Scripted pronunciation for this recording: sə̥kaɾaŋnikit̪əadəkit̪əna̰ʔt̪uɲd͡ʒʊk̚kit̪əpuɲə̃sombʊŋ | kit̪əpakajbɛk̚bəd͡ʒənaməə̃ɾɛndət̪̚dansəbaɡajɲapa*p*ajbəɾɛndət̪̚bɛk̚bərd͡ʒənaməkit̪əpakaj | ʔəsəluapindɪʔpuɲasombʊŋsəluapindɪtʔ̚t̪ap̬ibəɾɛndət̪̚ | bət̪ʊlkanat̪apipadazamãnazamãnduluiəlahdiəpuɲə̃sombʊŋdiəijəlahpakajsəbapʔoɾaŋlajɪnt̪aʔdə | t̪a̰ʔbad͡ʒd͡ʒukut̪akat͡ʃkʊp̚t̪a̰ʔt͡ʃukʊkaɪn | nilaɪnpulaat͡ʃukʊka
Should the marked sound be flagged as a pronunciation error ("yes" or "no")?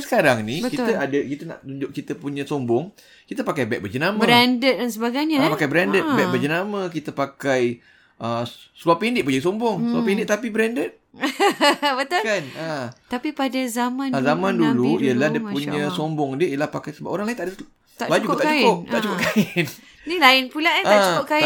yes